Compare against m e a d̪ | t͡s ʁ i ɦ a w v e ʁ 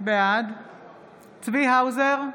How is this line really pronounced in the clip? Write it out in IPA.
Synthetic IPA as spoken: b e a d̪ | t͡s v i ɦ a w z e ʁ